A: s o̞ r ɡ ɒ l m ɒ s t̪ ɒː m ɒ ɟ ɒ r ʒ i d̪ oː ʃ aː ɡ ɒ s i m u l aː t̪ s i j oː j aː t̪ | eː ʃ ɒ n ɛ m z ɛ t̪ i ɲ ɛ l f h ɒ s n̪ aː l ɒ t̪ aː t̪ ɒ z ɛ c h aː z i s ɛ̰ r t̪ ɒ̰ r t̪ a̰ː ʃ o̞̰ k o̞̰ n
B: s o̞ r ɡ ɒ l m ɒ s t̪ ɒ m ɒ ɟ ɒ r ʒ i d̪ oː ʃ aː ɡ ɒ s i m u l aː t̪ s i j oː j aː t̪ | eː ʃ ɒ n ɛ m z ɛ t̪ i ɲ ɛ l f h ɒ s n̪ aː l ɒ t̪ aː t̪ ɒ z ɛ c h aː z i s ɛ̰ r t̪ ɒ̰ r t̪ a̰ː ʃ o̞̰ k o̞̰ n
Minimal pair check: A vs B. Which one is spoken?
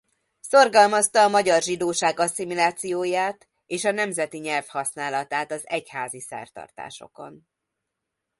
A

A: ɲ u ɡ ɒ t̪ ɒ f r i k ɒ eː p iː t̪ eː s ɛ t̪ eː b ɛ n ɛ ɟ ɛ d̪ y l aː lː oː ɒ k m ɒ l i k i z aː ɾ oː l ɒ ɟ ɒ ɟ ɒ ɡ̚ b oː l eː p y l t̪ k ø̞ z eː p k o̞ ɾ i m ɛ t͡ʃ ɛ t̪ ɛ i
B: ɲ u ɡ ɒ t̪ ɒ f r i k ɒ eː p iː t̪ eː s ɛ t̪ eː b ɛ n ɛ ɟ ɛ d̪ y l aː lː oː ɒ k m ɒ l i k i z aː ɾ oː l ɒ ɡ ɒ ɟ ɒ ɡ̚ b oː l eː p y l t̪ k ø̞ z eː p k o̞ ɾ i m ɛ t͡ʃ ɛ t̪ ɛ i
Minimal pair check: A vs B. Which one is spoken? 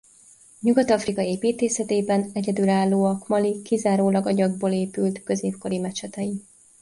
B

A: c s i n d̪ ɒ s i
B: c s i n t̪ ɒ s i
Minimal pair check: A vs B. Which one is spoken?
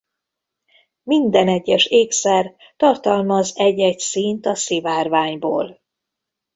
B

